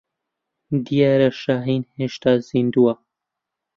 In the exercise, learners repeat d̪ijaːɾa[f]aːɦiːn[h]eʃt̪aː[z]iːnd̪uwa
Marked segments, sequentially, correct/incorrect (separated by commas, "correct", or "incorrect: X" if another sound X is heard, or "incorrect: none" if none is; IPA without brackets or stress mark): incorrect: ʃ, correct, correct